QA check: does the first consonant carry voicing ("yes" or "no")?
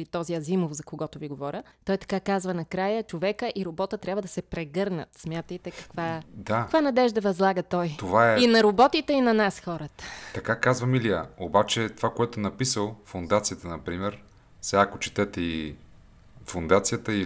no